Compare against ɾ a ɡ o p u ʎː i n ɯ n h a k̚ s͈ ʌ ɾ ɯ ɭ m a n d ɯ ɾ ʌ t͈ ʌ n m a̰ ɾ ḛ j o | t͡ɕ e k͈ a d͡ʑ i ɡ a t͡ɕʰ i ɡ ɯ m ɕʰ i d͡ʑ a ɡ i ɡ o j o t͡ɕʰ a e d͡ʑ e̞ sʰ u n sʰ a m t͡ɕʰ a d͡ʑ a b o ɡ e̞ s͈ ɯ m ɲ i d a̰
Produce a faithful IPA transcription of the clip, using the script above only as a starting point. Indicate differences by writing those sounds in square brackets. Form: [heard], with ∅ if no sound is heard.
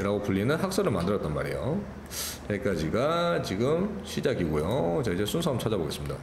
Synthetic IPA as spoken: ɾ a ɡ o p u ʎː i n ɯ n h a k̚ s͈ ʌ ɾ ɯ ɭ m a n d ɯ ɾ ʌ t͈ ʌ n m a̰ ɾ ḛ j o | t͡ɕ e k͈ a d͡ʑ i ɡ a [t͡ɕ] i ɡ ɯ m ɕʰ i d͡ʑ a ɡ i ɡ o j o [t͡ɕ] a [i] d͡ʑ e̞ sʰ u n sʰ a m t͡ɕʰ a d͡ʑ a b o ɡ e̞ s͈ ɯ m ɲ i d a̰

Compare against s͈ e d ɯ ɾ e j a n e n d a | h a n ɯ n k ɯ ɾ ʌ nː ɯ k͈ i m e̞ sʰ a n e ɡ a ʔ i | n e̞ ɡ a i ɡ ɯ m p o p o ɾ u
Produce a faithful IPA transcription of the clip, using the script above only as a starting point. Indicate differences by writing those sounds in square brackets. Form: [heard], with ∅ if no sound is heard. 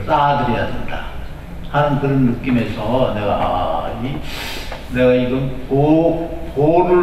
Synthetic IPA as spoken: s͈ [a] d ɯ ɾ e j a [d] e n d a | h a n ɯ n k ɯ ɾ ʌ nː ɯ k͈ i m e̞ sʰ [ʌ] n e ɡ a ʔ i | n e̞ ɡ a i ɡ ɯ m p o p o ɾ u

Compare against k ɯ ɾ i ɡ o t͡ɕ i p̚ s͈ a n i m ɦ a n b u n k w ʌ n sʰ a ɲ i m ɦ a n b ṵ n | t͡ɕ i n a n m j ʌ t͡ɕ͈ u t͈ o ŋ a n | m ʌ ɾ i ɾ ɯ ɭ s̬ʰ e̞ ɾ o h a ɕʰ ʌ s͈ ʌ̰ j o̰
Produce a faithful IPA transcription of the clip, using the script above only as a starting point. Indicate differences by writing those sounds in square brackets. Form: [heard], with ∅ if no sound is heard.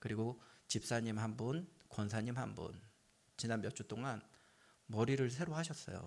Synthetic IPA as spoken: k ɯ ɾ i ɡ o t͡ɕ i p̚ s͈ a [ɲ] i m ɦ a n b u n k w ʌ n sʰ a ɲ i m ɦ a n b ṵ n | t͡ɕ i n a n m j ʌ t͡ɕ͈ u t͈ o ŋ a n | m ʌ ɾ i ɾ ɯ ɭ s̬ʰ e̞ ɾ o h a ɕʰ ʌ s͈ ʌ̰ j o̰

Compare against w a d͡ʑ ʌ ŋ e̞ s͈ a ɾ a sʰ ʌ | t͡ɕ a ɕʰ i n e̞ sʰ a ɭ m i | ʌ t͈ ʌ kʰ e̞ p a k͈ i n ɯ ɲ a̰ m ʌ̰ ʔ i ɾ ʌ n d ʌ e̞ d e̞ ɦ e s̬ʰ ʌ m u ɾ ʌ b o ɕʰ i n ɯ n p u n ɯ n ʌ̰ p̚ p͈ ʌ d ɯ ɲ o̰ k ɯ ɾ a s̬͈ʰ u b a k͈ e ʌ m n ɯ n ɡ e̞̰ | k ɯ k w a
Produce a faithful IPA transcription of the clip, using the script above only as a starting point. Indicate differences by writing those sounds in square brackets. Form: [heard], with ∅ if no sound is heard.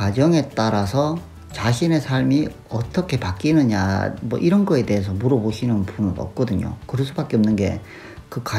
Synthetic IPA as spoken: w a d͡ʑ ʌ ŋ e̞ [t͈] a ɾ a sʰ ʌ | t͡ɕ a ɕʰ i n e̞ sʰ a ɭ m i | ʌ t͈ ʌ kʰ e̞ p a k͈ i n ɯ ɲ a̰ m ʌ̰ ʔ i ɾ ʌ n [ɡ] ʌ e̞ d e̞ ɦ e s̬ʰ ʌ m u ɾ ʌ b o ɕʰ i n ɯ n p u n ɯ n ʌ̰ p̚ [k͈] ʌ d ɯ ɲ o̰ k ɯ ɾ [ʌ] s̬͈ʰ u b a k͈ e ʌ m n ɯ n ɡ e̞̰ | k ɯ k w a

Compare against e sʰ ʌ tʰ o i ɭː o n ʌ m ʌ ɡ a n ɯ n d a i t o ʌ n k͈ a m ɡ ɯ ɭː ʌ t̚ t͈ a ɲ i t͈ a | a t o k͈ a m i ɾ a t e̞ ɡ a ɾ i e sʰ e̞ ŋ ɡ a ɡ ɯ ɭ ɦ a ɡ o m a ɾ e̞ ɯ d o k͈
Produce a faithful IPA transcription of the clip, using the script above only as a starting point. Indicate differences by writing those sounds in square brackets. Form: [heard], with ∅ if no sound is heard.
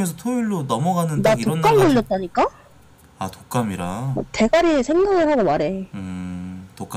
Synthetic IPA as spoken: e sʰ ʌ tʰ o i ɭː o n ʌ m ʌ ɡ a n ɯ n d a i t o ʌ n k͈ a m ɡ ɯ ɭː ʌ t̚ t͈ a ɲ i [k͈] a | a t o k͈ a m i ɾ a t e̞ ɡ a ɾ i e sʰ e̞ ŋ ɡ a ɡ ɯ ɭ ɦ a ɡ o m a ɾ e̞ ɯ [t] o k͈

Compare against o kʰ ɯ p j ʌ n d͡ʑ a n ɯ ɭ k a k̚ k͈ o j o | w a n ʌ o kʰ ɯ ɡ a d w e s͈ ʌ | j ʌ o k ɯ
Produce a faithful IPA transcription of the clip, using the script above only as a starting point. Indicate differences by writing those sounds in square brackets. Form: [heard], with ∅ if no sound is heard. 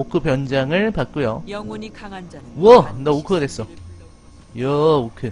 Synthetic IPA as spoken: o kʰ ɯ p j ʌ n d͡ʑ a [ŋ] ɯ ɭ [p] a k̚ k͈ [u] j o | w [ʌ] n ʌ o kʰ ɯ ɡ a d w e s͈ ʌ | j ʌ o [kʰ] ɯ

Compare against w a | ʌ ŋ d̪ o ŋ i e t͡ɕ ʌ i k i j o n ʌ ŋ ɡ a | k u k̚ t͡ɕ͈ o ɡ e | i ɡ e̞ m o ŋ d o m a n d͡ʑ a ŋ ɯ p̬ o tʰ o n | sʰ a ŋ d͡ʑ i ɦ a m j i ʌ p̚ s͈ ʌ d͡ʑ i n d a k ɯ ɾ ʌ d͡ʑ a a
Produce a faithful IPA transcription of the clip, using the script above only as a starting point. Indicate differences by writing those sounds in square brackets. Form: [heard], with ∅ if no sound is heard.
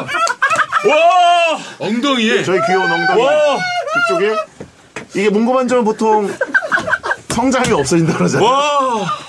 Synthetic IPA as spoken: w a | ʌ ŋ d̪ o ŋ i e t͡ɕ ʌ i k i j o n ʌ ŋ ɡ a | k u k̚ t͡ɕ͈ o ɡ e | i ɡ e̞ m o ŋ [ɡ] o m a n d͡ʑ [ʌ] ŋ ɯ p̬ o tʰ o [ŋ] | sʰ [ʌ] ŋ d͡ʑ [a] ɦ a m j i ʌ p̚ s͈ ʌ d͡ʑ i n d a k ɯ ɾ ʌ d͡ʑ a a

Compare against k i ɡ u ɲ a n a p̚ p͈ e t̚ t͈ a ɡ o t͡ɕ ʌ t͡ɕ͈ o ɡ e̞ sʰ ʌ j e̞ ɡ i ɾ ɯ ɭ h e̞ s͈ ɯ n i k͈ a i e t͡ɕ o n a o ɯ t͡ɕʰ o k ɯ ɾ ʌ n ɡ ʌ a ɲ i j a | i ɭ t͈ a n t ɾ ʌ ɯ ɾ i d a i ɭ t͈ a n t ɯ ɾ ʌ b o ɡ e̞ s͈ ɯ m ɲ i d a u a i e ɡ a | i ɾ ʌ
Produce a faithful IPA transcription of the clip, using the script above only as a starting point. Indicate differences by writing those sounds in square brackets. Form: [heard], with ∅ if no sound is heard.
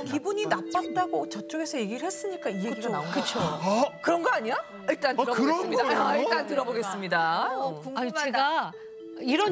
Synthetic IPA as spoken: k i [b] u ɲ [i] n a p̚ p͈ [a] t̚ t͈ a ɡ o t͡ɕ ʌ t͡ɕ͈ o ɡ e̞ sʰ ʌ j e̞ ɡ i ɾ ɯ ɭ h e̞ s͈ ɯ [ɲ] i k͈ a i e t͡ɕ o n a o ɯ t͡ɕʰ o k ɯ ɾ ʌ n ɡ ʌ a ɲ i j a | i ɭ t͈ a n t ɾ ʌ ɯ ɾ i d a i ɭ t͈ a n t ɯ ɾ ʌ b o ɡ e̞ s͈ ɯ m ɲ i d a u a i e ɡ a | i ɾ ʌ

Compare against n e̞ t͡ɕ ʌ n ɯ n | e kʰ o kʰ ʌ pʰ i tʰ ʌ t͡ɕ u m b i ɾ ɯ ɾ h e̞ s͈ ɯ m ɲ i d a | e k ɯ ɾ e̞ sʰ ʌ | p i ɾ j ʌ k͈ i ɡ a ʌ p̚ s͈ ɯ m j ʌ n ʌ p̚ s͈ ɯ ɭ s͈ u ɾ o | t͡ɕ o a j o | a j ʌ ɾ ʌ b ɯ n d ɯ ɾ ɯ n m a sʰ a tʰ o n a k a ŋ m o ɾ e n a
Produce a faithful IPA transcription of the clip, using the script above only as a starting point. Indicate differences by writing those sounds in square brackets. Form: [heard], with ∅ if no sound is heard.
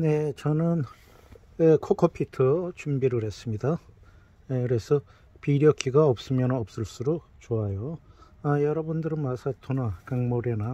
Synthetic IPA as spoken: n e̞ t͡ɕ ʌ n ɯ n | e kʰ o kʰ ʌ pʰ i tʰ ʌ t͡ɕ u m b i ɾ ɯ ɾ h e̞ s͈ ɯ m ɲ i d a | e k ɯ ɾ e̞ sʰ ʌ | p i ɾ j ʌ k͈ i ɡ a ʌ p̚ s͈ ɯ m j ʌ n ʌ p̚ s͈ ɯ ɭ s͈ u ɾ o | t͡ɕ o a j o | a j ʌ ɾ ʌ b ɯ n d ɯ ɾ ɯ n m a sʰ a tʰ o n a k a ŋ m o ɾ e n a

